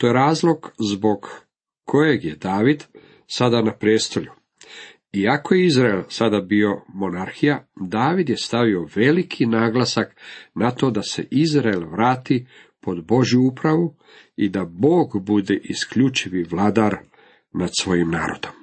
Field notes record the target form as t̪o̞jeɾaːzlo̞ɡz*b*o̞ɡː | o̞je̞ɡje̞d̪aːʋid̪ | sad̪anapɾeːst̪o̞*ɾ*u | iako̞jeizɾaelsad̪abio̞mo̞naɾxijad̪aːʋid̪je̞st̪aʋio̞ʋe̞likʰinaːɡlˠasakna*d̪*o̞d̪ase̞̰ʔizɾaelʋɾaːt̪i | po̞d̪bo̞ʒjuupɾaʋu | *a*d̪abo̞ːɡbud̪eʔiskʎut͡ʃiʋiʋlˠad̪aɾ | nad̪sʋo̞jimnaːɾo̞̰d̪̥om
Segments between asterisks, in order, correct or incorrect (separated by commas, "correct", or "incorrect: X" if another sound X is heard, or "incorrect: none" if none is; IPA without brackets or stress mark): correct, incorrect: ʎ, incorrect: t̪, incorrect: i